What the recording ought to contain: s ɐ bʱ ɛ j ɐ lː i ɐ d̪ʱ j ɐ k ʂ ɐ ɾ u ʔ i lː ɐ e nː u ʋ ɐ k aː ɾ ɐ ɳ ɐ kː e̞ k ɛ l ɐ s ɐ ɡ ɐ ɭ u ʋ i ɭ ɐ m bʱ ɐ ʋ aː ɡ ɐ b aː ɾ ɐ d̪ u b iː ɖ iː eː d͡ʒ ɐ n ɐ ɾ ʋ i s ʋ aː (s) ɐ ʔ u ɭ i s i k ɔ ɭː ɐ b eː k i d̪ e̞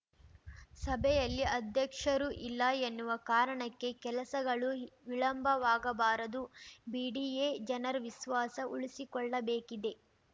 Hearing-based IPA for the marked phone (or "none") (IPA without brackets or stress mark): s